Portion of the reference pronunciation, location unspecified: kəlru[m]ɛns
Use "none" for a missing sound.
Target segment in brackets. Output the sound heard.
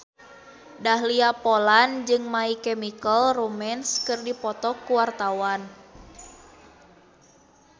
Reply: m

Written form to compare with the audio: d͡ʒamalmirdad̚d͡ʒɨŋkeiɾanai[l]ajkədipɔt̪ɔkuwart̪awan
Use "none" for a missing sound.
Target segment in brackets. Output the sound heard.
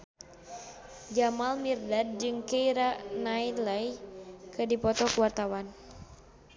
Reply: l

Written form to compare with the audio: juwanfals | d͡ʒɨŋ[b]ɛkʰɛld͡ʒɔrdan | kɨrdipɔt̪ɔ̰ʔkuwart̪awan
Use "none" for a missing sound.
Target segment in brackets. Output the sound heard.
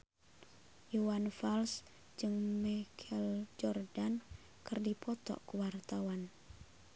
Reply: m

